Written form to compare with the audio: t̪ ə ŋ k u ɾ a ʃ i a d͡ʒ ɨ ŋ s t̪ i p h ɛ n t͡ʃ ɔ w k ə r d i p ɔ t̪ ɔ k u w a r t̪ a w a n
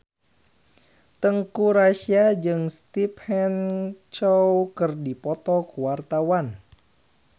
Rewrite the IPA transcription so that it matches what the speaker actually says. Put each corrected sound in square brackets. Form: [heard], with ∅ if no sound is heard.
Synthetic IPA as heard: t̪ ə ŋ k u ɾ a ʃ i a d͡ʒ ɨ ŋ s t̪ i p h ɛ n t͡ʃ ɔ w k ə r d i p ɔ t̪ ɔ k u w a r t̪ a w a n